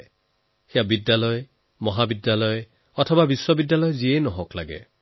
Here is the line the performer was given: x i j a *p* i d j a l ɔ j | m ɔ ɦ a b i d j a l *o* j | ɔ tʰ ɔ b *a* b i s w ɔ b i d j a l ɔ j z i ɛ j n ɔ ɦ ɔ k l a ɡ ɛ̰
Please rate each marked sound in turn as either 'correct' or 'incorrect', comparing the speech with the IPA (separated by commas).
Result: incorrect, incorrect, correct